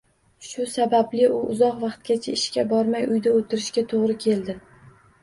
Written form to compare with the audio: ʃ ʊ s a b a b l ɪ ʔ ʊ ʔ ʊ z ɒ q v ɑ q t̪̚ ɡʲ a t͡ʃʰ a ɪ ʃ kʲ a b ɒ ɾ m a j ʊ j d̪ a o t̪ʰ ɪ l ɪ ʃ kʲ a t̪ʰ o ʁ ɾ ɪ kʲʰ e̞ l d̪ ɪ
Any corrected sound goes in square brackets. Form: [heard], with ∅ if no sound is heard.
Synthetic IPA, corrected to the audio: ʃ ʊ s a b a b l ɪ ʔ ʊ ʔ ʊ z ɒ q v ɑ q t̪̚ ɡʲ a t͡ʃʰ a ɪ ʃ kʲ a b ɒ ɾ m a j ʊ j d̪ a o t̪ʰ ɪ [ɾ] ɪ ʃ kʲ a t̪ʰ o ʁ ɾ ɪ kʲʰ e̞ l d̪ ɪ